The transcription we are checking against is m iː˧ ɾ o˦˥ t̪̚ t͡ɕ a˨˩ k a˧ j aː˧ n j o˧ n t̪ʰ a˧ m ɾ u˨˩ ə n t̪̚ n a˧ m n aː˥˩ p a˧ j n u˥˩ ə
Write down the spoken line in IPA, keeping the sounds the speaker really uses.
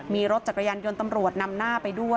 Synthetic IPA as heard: m iː˧ ɾ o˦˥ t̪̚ t͡ɕ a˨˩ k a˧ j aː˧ n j o˧ n t̪ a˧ m ɾ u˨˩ ə t̪̚ n a˧ m n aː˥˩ p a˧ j d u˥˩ ə